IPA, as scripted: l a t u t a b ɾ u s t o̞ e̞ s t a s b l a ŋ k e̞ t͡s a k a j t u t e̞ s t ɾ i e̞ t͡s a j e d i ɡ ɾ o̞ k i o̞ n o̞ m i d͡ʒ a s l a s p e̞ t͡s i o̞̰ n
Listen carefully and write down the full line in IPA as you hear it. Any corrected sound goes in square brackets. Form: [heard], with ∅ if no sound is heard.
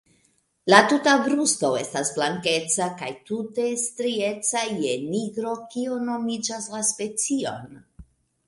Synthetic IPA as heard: l a t u t a b ɾ u s t o̞ e̞ s t a s b l a ŋ k e̞ t͡s a k a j t u t e̞ s t ɾ i e̞ t͡s a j e [n] i ɡ ɾ o̞ k i o̞ n o̞ m i d͡ʒ a s l a s p e̞ t͡s i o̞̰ n